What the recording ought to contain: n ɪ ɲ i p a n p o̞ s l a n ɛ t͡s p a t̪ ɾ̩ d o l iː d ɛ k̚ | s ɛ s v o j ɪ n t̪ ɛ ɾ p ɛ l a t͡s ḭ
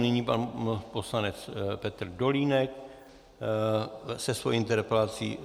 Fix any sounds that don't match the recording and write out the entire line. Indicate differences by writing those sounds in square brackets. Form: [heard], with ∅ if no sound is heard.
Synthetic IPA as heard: n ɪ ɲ i p a n p o̞ s l a n ɛ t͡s p [ɛ] t̪ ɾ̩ d o l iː [n] ɛ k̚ | s ɛ s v o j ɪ n t̪ ɛ ɾ p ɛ l a t͡s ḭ

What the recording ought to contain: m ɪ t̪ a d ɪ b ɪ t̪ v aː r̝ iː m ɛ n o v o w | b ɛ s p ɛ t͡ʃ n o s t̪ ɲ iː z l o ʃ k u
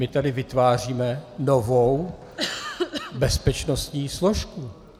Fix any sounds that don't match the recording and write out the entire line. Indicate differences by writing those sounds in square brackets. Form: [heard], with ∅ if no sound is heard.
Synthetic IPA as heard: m ɪ t̪ a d ɪ [v] ɪ t̪ v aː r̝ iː m ɛ n o v o w | b ɛ s p ɛ t͡ʃ n o s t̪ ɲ iː [s] l o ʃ k u

